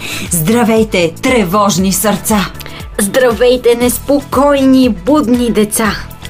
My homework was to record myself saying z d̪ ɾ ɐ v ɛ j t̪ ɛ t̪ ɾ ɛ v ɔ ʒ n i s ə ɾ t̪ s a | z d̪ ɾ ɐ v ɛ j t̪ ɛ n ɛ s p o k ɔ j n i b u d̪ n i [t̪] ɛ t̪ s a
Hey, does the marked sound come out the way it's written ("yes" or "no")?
no